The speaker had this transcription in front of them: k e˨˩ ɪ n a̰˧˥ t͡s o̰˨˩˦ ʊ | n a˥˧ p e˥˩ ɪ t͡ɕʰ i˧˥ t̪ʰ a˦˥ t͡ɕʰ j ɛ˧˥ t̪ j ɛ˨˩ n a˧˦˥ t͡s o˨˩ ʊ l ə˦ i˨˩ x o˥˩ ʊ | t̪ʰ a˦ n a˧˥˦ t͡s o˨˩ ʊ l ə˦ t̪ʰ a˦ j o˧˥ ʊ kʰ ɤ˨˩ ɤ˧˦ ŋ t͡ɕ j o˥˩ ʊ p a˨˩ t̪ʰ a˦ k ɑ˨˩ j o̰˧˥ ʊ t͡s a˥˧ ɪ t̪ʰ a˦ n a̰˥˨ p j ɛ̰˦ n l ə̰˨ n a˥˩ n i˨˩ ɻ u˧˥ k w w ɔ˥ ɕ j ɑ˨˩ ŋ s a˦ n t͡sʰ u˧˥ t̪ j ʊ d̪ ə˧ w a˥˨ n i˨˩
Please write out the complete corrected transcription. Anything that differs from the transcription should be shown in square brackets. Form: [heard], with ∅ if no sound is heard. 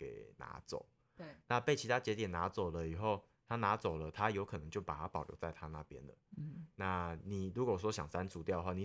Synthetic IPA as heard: k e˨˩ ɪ n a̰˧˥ t͡s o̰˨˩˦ ʊ | n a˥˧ p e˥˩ ɪ t͡ɕʰ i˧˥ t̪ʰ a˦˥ [t͡ɕ] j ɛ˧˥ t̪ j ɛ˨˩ n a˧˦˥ t͡s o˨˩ ʊ l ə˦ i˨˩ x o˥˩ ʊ | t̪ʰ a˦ n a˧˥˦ t͡s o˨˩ ʊ l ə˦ t̪ʰ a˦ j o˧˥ ʊ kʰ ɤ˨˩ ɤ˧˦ ŋ t͡ɕ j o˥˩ ʊ p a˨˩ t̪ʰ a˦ [p] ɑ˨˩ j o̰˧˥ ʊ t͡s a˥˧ ɪ t̪ʰ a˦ n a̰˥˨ p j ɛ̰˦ n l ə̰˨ n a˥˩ n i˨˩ ɻ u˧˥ k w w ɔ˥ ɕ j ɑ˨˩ ŋ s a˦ n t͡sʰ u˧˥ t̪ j ʊ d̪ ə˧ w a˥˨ n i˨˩